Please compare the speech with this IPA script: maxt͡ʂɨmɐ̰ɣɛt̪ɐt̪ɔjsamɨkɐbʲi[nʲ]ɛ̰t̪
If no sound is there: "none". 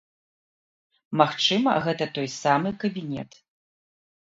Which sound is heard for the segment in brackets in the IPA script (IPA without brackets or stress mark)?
nʲ